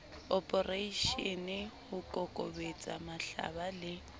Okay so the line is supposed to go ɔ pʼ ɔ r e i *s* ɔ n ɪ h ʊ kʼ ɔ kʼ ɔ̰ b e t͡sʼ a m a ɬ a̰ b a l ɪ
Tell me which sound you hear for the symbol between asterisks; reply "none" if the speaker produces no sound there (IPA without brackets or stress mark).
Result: ʃ